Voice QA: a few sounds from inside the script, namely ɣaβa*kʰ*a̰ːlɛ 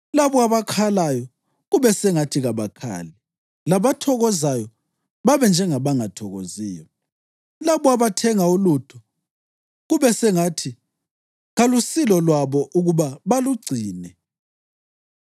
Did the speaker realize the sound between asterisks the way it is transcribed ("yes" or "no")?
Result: yes